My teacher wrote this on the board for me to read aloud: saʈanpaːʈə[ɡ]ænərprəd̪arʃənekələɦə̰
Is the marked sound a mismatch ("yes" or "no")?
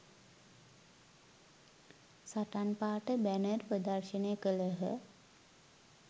yes